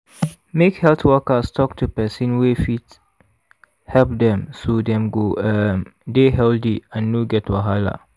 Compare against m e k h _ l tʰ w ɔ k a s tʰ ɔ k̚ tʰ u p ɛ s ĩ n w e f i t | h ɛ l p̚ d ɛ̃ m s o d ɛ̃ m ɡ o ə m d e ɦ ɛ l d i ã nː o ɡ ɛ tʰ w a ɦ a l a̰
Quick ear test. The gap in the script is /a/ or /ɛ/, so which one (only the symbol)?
ɛ